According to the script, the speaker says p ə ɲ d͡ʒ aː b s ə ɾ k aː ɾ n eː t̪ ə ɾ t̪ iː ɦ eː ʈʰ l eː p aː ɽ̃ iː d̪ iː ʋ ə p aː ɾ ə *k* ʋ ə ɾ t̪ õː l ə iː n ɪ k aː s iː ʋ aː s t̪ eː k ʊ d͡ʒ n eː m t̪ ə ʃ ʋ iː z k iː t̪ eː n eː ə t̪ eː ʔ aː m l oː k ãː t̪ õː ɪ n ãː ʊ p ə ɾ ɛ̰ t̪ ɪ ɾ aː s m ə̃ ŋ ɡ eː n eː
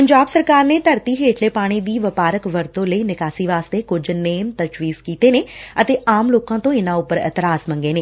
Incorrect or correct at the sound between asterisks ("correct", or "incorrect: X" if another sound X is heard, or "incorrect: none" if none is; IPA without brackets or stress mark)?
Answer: correct